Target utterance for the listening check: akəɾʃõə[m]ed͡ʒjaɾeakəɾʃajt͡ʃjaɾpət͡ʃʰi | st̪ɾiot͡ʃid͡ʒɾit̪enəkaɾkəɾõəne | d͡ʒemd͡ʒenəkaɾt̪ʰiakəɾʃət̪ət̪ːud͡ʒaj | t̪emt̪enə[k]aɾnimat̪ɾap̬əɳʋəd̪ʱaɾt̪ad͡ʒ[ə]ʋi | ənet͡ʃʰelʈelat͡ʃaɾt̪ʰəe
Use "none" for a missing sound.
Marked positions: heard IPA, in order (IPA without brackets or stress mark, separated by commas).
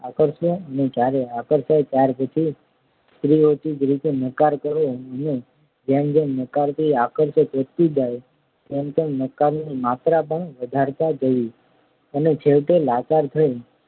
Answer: n, k, ə